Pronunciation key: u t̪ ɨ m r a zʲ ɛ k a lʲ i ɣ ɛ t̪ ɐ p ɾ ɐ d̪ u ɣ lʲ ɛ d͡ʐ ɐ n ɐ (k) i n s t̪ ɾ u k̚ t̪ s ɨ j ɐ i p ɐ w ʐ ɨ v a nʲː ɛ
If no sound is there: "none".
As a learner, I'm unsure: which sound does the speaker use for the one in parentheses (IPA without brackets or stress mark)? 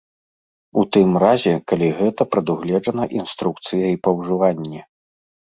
ʔ